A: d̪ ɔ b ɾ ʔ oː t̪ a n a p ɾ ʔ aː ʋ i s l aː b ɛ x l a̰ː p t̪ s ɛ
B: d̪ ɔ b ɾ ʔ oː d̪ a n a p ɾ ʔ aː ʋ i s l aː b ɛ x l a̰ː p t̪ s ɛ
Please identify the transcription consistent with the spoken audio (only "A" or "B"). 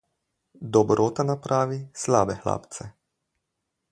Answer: A